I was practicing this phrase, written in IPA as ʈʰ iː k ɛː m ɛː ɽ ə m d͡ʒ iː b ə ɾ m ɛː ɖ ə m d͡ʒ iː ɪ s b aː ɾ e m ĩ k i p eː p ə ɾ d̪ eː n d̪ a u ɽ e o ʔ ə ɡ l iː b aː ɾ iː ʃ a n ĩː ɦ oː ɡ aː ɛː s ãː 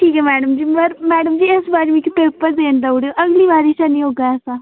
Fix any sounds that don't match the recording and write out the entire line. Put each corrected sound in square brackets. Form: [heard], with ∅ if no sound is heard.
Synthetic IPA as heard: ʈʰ iː k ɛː m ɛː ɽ ə m d͡ʒ iː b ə ɾ m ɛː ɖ ə m d͡ʒ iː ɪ s b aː ɾ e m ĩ k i p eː p ə ɾ d̪ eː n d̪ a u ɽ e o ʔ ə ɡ l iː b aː ɾ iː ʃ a n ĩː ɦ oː ɡ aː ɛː s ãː